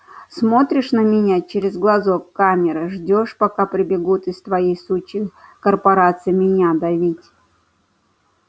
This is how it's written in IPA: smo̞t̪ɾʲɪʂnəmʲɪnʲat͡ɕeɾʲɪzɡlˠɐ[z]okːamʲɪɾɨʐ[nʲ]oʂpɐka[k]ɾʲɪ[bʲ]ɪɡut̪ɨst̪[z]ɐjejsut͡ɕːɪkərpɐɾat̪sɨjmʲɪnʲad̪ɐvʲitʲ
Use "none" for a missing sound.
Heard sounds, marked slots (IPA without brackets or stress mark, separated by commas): z, dʲ, p, bʲ, v